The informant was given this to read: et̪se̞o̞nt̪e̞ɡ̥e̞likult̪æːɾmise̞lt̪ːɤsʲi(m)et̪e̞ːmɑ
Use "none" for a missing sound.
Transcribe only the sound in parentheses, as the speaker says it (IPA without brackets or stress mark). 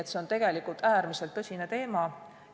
n